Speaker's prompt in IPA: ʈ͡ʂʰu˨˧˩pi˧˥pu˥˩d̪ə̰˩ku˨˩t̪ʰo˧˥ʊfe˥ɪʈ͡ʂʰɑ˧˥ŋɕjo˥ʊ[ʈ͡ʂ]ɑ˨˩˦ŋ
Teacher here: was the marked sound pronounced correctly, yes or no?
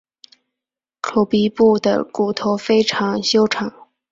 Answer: no